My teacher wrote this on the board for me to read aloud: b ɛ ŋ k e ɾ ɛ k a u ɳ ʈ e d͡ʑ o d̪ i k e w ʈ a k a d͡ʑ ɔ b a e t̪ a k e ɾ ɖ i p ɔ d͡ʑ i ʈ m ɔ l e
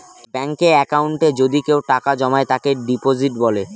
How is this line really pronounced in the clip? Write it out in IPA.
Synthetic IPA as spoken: b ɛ ŋ k e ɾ ɛ k a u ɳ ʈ e d͡ʑ o d̪ i k e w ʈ a k a d͡ʑ ɔ m a e t̪ a k e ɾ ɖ i p o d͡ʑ i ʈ b ɔ l e